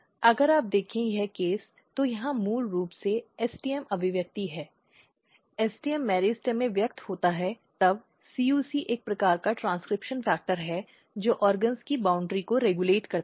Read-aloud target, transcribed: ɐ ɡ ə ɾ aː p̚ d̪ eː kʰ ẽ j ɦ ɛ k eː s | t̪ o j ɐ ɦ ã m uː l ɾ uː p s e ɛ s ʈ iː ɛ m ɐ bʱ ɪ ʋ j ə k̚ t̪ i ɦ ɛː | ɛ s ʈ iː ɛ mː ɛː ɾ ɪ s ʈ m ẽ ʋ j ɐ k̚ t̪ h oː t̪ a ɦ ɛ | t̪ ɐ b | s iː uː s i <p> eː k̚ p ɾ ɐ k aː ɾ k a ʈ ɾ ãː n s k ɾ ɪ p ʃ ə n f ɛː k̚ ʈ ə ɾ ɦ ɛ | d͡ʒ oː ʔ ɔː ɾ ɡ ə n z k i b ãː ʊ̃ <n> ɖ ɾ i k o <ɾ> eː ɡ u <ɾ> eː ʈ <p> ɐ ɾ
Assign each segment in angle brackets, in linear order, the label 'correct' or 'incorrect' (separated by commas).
incorrect, incorrect, correct, incorrect, incorrect